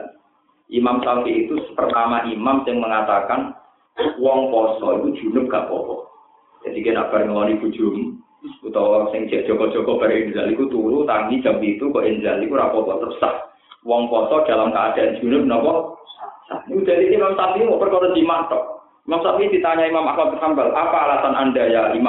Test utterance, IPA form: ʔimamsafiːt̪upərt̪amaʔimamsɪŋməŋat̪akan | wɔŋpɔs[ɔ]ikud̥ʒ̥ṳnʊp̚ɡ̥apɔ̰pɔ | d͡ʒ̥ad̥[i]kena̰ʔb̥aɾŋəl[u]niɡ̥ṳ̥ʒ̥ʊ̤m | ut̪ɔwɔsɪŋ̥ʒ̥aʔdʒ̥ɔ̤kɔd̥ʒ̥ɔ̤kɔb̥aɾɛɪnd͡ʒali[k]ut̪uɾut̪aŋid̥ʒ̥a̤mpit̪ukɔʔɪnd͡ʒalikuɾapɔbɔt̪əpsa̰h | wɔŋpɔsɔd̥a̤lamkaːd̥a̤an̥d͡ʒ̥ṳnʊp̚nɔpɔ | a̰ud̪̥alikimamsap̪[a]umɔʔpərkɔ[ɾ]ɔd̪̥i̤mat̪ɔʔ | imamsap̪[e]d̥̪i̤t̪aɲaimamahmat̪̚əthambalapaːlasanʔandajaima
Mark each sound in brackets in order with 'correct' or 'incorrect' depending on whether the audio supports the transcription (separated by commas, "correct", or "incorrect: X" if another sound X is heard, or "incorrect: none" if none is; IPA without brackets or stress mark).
correct, correct, incorrect: ɔ, correct, incorrect: i, correct, incorrect: i